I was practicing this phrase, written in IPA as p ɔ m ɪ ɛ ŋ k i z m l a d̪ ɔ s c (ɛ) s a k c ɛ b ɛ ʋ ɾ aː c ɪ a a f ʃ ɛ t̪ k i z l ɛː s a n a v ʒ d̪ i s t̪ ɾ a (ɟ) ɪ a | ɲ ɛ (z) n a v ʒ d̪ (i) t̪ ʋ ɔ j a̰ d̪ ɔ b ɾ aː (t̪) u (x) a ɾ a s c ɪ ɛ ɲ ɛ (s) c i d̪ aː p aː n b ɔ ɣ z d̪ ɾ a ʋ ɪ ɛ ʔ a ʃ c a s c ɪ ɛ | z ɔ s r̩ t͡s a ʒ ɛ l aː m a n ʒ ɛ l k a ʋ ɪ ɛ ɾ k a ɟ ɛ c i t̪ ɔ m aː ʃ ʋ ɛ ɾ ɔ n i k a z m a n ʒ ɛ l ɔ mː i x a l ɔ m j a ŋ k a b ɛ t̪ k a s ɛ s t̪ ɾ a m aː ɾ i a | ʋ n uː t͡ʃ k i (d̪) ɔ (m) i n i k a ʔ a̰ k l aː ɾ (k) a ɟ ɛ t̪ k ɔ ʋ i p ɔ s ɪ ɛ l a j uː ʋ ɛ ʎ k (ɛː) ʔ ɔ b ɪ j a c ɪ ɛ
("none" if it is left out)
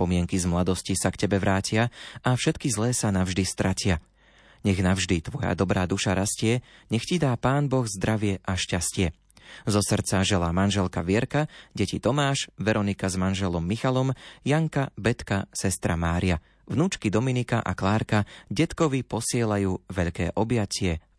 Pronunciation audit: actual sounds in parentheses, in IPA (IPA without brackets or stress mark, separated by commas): i, c, ɣ, i, d̪, ʃ, x, d̪, m, k, ɛː